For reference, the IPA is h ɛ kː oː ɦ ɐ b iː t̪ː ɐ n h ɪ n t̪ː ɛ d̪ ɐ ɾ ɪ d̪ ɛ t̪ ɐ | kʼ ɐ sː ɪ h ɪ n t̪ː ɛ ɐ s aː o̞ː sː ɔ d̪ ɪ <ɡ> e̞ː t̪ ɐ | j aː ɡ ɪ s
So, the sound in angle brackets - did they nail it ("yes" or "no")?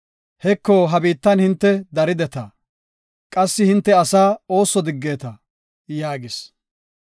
no